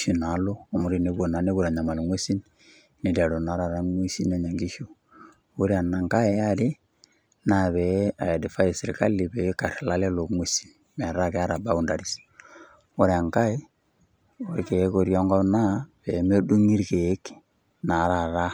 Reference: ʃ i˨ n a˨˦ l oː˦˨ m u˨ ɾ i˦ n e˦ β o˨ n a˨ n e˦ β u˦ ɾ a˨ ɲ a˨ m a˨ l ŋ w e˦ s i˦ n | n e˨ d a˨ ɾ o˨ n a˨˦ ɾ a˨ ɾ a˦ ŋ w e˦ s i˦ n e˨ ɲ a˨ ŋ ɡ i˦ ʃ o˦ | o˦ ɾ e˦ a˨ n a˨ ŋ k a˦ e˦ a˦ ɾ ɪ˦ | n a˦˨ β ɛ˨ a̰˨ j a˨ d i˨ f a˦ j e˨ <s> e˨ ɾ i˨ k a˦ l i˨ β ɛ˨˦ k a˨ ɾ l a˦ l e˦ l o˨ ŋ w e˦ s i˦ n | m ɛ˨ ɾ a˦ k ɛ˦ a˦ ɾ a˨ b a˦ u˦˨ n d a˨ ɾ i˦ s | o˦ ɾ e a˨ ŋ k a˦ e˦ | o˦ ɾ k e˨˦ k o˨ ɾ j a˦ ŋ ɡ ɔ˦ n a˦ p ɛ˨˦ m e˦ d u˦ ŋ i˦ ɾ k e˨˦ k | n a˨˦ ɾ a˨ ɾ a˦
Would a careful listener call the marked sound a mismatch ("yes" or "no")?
no